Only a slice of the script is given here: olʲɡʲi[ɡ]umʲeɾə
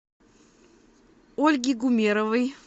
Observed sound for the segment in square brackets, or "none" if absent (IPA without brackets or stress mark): ɡ